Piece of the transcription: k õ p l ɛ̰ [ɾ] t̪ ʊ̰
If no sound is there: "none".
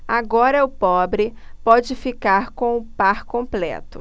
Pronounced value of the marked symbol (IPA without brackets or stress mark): none